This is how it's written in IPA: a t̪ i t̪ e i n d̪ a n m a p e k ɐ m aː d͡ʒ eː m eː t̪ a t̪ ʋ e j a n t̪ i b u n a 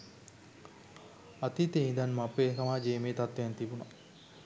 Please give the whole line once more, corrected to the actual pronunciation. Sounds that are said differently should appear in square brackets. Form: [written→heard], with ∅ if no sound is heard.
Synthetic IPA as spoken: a t̪ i t̪ e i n d̪ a n m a p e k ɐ m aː d͡ʒ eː m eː t̪ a t̪ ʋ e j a n t̪ i b u n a

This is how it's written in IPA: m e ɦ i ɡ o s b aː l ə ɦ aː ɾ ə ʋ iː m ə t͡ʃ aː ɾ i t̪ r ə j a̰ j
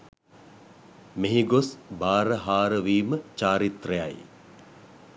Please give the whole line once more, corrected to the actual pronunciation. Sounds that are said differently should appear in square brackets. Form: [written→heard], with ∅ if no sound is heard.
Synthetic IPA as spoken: m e ɦ i ɡ o s b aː [l→ɾ] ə ɦ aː ɾ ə ʋ iː m ə t͡ʃ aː ɾ i t̪ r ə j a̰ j

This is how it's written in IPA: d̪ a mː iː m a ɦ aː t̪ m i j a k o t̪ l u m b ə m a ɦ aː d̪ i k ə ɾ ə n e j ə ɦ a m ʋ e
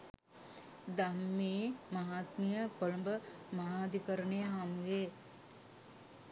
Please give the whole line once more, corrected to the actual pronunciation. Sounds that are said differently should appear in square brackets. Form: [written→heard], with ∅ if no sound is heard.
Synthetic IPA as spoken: d̪ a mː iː m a ɦ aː t̪ m i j [a→ə] k o [t̪→∅] l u m b ə m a ɦ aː d̪ i k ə ɾ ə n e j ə ɦ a m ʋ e

